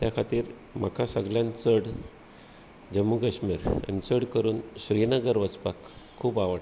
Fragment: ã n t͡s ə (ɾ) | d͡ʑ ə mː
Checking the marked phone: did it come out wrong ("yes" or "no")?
yes